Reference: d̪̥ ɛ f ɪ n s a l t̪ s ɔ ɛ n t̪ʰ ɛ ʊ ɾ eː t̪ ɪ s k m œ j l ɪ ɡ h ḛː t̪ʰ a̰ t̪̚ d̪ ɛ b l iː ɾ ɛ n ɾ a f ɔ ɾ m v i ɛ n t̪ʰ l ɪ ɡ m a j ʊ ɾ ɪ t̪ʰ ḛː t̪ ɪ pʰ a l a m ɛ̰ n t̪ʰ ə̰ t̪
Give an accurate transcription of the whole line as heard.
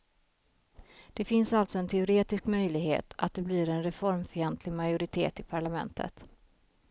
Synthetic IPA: d̪̥ ɛ f ɪ n s a l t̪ s ɔ ɛ n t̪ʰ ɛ ʊ ɾ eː t̪ ɪ s k m œ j l ɪ ɡ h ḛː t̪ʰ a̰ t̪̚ d̪ ɛ b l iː ɾ ɛ n ɾ ɛ f ɔ ɾ m f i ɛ n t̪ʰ l ɪ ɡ m a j ʊ ɾ ɪ t̪ʰ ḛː t̪ ɪ pʰ a ɭ a m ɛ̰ n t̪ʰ ə̰ t̪